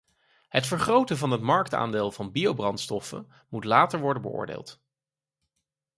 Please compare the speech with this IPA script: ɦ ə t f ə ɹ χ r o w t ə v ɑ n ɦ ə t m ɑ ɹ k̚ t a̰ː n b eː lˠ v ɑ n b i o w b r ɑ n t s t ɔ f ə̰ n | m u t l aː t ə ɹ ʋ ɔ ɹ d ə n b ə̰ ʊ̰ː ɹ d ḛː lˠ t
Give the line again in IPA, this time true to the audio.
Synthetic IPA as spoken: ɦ ə t f ə ɹ χ r o w t ə v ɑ n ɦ ə t m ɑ ɹ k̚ t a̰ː n d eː lˠ v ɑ n b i o w b r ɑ n t s t ɔ f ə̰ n | m u t l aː t ə ɹ ʋ ɔ ɹ d ə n b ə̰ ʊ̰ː ɹ d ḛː lˠ t